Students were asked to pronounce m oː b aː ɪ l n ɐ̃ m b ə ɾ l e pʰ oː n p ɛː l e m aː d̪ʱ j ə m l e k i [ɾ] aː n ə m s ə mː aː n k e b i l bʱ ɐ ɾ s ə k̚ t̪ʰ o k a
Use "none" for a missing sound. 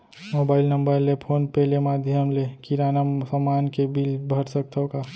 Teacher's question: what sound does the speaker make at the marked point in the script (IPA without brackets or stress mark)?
ɾ